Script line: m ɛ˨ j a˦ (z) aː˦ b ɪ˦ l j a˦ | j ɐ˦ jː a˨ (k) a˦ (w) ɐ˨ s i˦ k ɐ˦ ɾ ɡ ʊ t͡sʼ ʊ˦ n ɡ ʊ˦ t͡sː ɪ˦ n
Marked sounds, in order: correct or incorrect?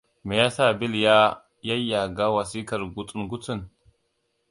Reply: incorrect, incorrect, correct

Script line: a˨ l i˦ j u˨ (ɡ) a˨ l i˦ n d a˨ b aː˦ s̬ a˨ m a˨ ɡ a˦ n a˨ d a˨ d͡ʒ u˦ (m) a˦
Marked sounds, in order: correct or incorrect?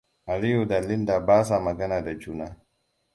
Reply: incorrect, incorrect

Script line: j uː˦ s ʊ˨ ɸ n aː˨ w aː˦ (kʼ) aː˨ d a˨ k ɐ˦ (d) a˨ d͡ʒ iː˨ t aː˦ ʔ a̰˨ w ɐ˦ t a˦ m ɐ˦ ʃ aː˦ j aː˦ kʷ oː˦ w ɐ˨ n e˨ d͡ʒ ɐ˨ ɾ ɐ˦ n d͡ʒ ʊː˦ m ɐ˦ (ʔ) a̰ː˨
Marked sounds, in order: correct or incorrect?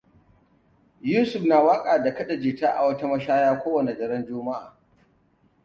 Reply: correct, incorrect, correct

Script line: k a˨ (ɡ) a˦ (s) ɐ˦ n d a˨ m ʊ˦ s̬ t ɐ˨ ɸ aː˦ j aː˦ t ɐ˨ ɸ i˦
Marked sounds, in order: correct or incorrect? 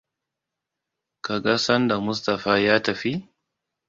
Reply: correct, correct

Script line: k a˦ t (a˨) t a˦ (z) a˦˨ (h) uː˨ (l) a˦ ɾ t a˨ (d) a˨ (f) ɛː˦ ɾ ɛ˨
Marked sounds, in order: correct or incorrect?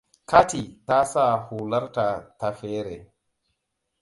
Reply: incorrect, incorrect, correct, correct, incorrect, correct

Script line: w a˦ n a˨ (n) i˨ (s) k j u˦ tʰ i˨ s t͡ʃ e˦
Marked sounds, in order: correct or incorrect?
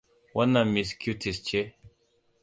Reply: incorrect, correct

